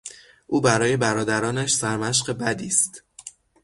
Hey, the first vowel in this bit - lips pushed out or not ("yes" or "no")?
yes